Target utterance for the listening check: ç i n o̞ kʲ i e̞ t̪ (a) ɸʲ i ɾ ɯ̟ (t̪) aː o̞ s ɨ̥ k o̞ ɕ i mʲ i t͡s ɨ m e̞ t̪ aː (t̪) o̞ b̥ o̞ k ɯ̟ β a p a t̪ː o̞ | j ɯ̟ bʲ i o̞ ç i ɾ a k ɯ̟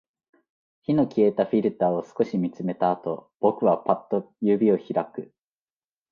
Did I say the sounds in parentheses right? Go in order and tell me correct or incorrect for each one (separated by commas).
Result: correct, correct, correct